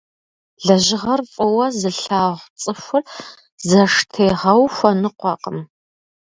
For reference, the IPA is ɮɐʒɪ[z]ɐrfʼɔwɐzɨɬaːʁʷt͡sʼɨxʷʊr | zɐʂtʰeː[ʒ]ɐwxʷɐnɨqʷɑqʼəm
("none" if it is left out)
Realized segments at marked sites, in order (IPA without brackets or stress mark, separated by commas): ʁ, ʁ